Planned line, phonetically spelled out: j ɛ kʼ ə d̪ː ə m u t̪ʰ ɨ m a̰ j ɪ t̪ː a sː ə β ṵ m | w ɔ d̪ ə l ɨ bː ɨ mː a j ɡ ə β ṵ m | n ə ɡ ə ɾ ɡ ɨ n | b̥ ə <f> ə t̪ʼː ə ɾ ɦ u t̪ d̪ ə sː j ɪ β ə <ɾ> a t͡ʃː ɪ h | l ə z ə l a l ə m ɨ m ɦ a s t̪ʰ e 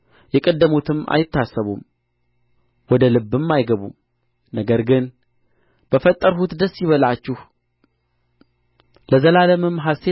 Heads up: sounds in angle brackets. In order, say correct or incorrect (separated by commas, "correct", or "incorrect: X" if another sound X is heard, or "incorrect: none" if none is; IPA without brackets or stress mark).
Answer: correct, incorrect: l